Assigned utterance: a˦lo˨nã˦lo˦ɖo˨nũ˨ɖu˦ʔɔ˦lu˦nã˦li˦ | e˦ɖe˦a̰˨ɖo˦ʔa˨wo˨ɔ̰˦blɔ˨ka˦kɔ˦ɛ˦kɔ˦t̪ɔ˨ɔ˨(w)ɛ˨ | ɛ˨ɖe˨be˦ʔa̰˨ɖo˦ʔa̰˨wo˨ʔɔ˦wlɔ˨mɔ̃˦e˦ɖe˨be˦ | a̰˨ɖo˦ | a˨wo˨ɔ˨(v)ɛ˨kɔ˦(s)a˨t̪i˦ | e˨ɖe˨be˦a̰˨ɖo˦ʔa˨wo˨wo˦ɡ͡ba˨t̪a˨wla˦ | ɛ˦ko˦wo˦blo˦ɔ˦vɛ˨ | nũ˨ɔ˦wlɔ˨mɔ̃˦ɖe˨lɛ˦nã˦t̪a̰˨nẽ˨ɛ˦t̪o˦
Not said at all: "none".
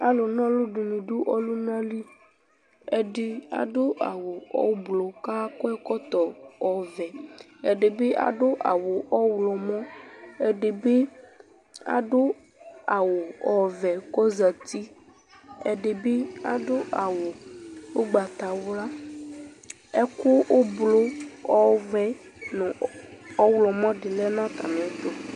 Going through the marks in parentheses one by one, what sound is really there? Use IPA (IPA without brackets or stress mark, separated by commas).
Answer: v, v, z